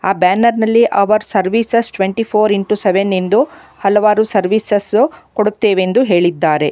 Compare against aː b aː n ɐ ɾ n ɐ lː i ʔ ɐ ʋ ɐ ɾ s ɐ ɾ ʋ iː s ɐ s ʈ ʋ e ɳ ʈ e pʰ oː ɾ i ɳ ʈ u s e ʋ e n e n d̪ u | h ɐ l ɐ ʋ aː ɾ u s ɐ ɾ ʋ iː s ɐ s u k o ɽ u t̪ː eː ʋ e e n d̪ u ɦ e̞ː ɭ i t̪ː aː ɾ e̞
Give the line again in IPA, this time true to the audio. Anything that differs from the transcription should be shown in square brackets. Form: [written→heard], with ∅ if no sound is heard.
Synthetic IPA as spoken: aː b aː n ɐ ɾ n ɐ lː i ʔ ɐ ʋ ɐ ɾ s ɐ ɾ ʋ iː s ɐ s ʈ ʋ e ɳ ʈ [e→i] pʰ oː ɾ i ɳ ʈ u s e ʋ e n e n d̪ u | h ɐ l ɐ ʋ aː ɾ u s ɐ ɾ ʋ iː s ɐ s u k o ɽ u t̪ː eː ʋ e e n d̪ u ɦ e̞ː ɭ i [t̪ː→d̪ː] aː ɾ e̞

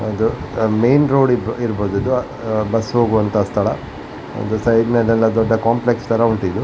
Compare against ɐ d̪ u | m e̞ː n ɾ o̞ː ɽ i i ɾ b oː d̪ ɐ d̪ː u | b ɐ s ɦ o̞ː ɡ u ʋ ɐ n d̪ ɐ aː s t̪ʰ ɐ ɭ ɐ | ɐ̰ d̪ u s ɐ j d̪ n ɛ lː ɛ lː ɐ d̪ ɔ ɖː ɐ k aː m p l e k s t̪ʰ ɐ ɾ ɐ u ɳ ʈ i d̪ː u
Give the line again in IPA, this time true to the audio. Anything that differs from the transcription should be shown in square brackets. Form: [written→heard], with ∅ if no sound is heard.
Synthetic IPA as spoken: ɐ d̪ u | m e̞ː n ɾ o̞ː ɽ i i ɾ b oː d̪ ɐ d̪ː u | b ɐ s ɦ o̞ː ɡ u ʋ ɐ n [d̪→t̪] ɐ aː s t̪ʰ ɐ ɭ ɐ | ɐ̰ d̪ u s ɐ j d̪ n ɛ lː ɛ lː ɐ d̪ ɔ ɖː ɐ k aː m p l e k s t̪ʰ ɐ ɾ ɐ u ɳ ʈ i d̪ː u

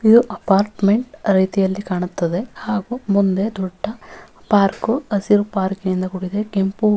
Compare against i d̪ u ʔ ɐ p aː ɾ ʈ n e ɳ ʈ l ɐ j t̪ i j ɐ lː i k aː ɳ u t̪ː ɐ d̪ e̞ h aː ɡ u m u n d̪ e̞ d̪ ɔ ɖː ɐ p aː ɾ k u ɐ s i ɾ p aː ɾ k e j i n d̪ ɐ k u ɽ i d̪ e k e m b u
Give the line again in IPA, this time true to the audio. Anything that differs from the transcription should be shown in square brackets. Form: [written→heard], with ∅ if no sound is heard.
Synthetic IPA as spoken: i d̪ u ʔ ɐ p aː ɾ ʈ [n→m] e ɳ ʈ [l→ɾ] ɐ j t̪ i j ɐ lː i k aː ɳ u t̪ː ɐ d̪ e̞ h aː ɡ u m u n d̪ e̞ d̪ ɔ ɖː ɐ p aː ɾ k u ɐ s i ɾ p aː ɾ k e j i n d̪ ɐ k u ɽ i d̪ e k e m [b→p] u

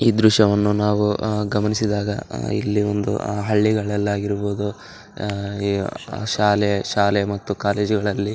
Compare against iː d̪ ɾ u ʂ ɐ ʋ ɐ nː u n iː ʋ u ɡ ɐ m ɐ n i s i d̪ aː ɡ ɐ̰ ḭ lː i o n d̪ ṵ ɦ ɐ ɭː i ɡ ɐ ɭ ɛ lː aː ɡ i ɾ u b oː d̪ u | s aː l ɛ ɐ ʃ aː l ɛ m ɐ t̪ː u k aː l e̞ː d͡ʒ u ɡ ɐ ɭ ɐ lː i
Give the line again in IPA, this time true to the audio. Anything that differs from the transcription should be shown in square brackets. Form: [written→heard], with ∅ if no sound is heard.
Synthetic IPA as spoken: iː d̪ ɾ u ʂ ɐ ʋ ɐ nː u n [iː→aː] ʋ u ɡ ɐ m ɐ n i s i d̪ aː ɡ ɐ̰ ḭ lː i o n d̪ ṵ ɦ ɐ ɭː i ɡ ɐ ɭ ɛ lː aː ɡ i ɾ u b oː d̪ u | [s→ʃ] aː l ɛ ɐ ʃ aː l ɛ m ɐ t̪ː u k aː l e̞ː d͡ʒ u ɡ ɐ ɭ ɐ lː i

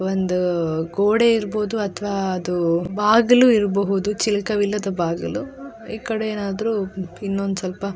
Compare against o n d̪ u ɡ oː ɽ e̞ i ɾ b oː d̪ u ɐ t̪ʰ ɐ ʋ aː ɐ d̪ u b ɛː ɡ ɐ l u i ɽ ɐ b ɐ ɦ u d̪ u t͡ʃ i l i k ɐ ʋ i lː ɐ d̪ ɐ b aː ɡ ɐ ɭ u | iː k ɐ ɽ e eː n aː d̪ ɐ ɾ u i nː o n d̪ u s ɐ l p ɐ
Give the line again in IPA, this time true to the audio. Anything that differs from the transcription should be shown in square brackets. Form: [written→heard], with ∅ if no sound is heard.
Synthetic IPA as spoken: o n d̪ u ɡ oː ɽ e̞ i ɾ b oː d̪ u ɐ t̪ʰ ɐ ʋ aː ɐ d̪ u b [ɛː→aː] ɡ ɐ l u i [ɽ→ɾ] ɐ b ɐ ɦ u d̪ u t͡ʃ i l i k ɐ ʋ i lː ɐ d̪ ɐ b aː ɡ ɐ [ɭ→l] u | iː k ɐ ɽ e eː n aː d̪ ɐ ɾ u i nː o n d̪ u s ɐ l p ɐ

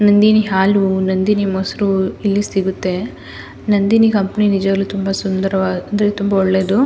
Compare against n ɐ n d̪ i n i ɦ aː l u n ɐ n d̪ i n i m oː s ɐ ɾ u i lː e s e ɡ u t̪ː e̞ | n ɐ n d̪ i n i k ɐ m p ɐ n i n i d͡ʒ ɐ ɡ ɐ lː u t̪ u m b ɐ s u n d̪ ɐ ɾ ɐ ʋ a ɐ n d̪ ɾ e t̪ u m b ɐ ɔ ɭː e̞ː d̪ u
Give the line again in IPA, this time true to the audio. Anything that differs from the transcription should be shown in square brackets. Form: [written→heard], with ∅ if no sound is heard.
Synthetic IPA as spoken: n ɐ n d̪ i n i ɦ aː l u n ɐ n d̪ i n i m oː s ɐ ɾ u i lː [e→i] s [e→i] ɡ u t̪ː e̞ | n ɐ n d̪ i n i k ɐ m p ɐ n i n i d͡ʒ ɐ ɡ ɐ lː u t̪ u m b ɐ s u n d̪ ɐ ɾ ɐ ʋ a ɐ n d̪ ɾ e t̪ u m b ɐ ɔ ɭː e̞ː d̪ u

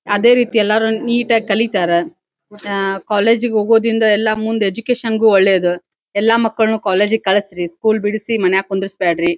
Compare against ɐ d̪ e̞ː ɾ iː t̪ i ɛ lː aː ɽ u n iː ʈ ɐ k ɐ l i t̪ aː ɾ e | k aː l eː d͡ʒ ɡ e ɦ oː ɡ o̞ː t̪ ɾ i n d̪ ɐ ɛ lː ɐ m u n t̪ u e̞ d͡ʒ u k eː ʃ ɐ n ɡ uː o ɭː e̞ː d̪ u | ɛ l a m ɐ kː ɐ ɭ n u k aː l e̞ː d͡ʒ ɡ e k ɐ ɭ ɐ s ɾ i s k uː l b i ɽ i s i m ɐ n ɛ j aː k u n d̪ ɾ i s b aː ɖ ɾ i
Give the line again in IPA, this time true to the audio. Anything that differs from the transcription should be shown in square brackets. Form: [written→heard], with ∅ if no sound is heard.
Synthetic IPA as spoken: ɐ d̪ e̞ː ɾ iː t̪ i ɛ lː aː [ɽ→ɾ] u n iː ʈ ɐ k ɐ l i t̪ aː ɾ e | k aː l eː d͡ʒ ɡ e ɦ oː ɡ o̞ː [t̪→d̪] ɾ i n d̪ ɐ ɛ lː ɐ m u n [t̪→d̪] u e̞ d͡ʒ u k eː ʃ ɐ n ɡ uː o ɭː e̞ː d̪ u | ɛ [l→lː] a m ɐ kː ɐ ɭ n u k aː l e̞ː d͡ʒ ɡ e k ɐ ɭ ɐ s ɾ i s k uː l b i ɽ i s i m ɐ n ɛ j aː k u n d̪ ɾ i s b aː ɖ ɾ i

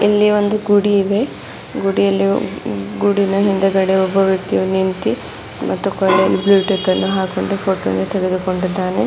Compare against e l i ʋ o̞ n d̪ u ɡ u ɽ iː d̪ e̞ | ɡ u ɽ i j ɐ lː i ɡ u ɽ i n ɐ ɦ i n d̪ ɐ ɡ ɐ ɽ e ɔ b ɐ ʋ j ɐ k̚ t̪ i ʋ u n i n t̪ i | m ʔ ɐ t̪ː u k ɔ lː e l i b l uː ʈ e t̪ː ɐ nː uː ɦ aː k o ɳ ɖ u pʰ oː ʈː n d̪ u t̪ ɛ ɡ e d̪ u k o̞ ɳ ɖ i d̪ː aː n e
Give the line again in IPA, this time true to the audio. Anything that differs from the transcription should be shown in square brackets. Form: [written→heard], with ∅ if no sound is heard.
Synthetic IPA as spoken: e [l→lː] i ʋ o̞ n d̪ u ɡ u ɽ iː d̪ e̞ | ɡ u ɽ i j ɐ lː i ɡ u ɽ i n ɐ ɦ i n d̪ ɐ ɡ ɐ ɽ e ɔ b ɐ ʋ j ɐ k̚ t̪ i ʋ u n i n t̪ i | m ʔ ɐ t̪ː u k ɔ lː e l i b l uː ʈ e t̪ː ɐ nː [uː→u] ɦ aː k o ɳ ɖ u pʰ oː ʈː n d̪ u t̪ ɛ ɡ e d̪ u k o̞ ɳ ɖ i d̪ː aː n e

